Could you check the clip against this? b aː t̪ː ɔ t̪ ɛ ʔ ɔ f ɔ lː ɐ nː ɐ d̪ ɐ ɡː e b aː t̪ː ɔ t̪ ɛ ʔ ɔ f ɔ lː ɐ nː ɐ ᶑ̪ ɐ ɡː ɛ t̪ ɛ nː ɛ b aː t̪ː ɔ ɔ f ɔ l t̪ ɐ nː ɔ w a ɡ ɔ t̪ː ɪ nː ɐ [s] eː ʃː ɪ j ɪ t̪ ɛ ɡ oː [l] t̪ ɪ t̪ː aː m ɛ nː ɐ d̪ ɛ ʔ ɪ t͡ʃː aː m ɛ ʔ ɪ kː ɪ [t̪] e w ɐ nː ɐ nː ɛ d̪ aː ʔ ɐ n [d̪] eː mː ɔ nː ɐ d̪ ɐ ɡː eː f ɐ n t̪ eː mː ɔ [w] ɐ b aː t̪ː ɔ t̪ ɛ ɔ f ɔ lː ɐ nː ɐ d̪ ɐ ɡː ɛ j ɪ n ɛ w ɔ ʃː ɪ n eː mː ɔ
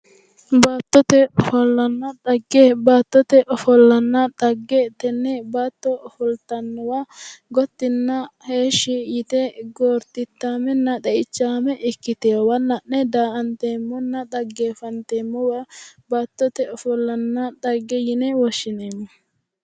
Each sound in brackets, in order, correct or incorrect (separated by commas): incorrect, incorrect, correct, incorrect, correct